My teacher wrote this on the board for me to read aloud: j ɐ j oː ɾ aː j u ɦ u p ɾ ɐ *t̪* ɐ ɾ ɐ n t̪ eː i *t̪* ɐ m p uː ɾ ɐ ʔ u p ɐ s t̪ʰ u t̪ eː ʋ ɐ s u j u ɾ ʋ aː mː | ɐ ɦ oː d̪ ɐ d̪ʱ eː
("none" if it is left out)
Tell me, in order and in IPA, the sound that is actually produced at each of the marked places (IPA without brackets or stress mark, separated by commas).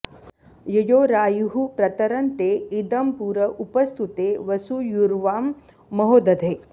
t̪, d̪